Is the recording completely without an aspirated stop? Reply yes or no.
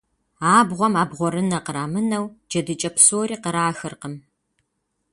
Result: yes